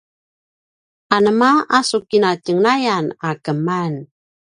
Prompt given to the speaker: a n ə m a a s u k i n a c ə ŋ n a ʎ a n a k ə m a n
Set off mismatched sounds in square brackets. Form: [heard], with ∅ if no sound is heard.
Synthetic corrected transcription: a n ə m a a s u k i n a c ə ŋ n a [j] a n a k ə m a n